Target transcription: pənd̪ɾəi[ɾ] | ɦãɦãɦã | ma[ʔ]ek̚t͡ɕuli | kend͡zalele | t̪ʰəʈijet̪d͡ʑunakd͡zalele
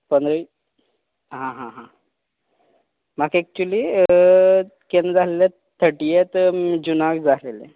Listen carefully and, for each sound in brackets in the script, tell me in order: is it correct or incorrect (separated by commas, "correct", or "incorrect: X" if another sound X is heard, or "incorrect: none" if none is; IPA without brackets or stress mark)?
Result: incorrect: none, incorrect: k